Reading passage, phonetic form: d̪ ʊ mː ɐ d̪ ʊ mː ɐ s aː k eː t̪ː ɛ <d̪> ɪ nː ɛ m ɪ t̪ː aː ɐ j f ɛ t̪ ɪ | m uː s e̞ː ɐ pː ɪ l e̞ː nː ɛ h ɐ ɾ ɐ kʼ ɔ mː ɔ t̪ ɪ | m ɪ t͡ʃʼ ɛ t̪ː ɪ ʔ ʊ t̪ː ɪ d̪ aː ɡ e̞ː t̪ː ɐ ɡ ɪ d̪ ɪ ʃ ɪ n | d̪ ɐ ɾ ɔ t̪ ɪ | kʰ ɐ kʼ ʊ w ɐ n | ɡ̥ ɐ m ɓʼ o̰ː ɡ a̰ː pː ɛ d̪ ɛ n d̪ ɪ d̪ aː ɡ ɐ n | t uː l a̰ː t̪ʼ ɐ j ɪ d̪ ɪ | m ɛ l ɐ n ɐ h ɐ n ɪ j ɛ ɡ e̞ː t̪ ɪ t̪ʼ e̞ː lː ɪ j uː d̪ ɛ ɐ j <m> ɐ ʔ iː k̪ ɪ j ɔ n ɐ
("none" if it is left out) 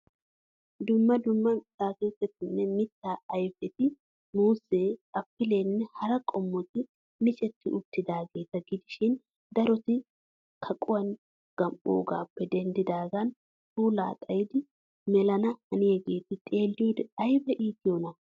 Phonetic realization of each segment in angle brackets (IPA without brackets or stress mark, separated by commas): t̪, b